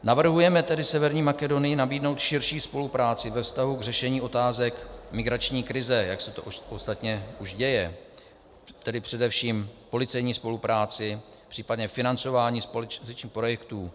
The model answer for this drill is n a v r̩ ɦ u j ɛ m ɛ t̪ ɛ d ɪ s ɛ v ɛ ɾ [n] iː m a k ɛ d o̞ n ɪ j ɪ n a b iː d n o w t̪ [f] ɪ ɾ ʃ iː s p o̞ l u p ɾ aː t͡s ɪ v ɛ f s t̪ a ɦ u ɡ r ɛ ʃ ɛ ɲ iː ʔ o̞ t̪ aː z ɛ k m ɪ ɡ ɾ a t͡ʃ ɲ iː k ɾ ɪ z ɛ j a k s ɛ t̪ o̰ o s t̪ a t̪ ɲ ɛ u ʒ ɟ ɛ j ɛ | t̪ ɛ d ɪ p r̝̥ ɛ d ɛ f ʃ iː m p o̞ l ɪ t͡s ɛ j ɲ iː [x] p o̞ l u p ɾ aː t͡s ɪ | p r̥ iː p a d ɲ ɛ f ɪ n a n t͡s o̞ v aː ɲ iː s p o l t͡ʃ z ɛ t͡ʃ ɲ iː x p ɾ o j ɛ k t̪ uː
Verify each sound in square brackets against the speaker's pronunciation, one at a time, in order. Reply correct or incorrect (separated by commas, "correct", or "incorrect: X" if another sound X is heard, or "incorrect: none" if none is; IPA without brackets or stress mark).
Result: incorrect: ɲ, incorrect: ʃ, incorrect: s